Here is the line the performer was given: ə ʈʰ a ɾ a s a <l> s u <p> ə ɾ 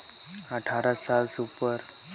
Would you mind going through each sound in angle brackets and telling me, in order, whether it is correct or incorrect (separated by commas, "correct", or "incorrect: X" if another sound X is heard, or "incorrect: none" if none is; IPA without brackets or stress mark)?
correct, correct